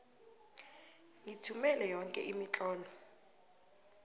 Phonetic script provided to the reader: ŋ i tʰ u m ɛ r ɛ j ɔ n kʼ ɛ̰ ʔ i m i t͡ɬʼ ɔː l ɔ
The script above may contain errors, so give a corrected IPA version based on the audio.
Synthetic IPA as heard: ŋ i tʰ u m ɛ l ɛ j ɔ ŋ kʼ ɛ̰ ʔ i m i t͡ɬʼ ɔː l ɔ

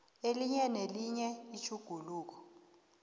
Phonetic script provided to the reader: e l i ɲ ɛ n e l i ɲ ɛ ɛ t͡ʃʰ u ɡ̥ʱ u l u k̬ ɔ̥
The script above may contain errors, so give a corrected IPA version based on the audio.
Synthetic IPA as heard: e l i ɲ ɛ n e l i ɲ ɛ i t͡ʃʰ u ɡ̥ʱ u l uː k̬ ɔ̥

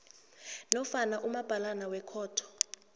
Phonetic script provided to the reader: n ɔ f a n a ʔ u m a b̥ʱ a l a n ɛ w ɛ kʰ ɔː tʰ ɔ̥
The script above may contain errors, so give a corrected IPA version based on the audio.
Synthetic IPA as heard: n ɔ f a n a ʔ u m a b̥ʱ a l a n a w ɛ kʰ ɔː tʰ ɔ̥

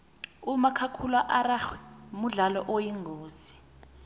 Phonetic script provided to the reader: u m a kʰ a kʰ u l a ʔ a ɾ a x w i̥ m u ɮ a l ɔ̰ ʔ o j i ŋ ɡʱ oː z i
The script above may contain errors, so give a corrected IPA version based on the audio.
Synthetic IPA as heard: u m a kʰ a kʰ u l a ʔ a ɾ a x w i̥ m u ɮ a l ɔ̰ ʔ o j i ŋ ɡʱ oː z i

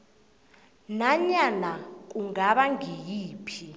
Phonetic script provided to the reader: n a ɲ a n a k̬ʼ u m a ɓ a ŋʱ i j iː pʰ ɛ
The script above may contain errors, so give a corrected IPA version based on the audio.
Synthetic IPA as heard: n a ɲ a n a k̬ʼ u ŋ a ɓ a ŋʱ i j iː pʰ i

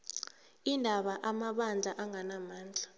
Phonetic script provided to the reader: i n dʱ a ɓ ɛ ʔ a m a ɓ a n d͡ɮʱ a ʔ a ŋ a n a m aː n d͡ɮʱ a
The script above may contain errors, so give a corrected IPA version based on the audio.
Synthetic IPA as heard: i n dʱ a ɓ a ʔ a m a ɓ a n d͡ɮʱ a ʔ a ŋ a n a m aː n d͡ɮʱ a

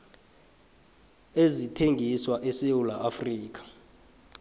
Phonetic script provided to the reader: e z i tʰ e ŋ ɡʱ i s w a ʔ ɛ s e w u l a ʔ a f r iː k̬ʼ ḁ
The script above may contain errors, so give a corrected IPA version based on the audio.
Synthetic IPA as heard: e z i tʰ e ŋ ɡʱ i s w a ʔ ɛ s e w u l a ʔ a f r iː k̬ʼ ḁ

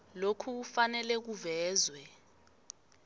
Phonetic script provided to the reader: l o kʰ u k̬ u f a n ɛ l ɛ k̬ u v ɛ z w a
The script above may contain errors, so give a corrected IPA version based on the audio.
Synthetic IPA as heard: l o kʰ u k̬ u f a n ɛ l ɛ k̬ u v ɛː z w ɛ

